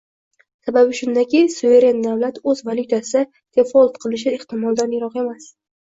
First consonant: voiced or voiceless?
voiceless